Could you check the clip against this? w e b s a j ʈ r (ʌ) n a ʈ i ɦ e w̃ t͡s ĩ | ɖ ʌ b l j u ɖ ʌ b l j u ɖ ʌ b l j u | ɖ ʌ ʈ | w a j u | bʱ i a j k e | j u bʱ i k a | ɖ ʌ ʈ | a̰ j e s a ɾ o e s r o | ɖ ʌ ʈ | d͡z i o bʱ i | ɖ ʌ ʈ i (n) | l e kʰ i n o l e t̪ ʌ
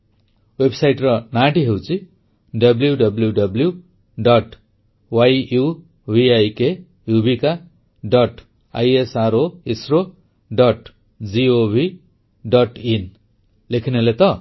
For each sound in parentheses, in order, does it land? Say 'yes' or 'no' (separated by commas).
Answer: yes, yes